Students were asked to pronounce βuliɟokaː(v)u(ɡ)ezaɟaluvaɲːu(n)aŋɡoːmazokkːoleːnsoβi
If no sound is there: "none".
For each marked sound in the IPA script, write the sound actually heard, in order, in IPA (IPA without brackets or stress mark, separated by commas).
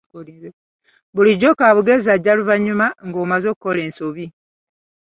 β, ɡ, m